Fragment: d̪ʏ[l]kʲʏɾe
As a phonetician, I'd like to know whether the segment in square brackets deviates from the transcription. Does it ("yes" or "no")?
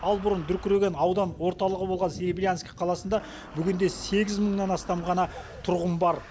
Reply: yes